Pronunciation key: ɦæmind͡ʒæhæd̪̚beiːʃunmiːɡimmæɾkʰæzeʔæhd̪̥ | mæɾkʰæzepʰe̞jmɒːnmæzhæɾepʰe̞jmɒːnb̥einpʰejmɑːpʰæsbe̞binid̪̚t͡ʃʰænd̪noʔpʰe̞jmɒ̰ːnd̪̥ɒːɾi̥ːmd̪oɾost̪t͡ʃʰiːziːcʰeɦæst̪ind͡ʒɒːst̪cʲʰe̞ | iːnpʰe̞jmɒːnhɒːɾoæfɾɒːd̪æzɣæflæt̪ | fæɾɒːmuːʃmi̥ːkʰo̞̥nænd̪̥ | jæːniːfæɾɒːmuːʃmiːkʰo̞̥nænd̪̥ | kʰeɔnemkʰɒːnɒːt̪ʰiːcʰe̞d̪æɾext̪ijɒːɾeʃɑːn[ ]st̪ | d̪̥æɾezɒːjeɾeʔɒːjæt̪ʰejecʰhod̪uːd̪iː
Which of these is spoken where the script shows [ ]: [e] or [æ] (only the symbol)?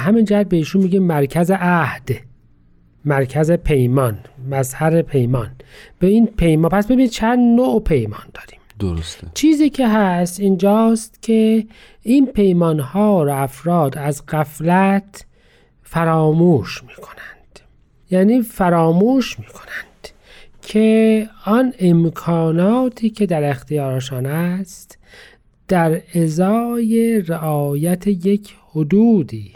æ